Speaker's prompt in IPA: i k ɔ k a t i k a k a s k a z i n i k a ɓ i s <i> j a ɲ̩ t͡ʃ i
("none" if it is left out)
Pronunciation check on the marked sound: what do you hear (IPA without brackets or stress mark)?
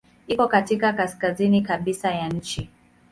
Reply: a